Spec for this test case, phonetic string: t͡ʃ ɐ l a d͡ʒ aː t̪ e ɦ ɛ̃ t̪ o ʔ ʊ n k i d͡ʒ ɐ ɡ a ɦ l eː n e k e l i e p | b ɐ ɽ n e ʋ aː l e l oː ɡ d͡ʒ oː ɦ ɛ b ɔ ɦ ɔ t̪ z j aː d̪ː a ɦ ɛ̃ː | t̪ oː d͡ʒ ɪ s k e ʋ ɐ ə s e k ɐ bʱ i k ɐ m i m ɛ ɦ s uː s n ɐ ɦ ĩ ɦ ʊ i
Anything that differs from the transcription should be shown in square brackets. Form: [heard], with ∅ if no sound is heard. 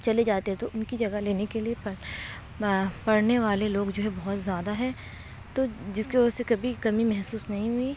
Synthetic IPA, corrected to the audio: t͡ʃ ɐ l [e] d͡ʒ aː t̪ e ɦ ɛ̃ t̪ o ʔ ʊ n k i d͡ʒ ɐ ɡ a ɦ l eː n e k e l i e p | [p] ɐ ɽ n e ʋ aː l e l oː ɡ d͡ʒ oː ɦ ɛ b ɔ ɦ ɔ t̪ z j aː [d̪] a ɦ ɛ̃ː | t̪ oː d͡ʒ ɪ s k e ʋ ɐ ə s e k ɐ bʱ i k ɐ m i m ɛ ɦ s uː s n ɐ ɦ ĩ ɦ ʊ i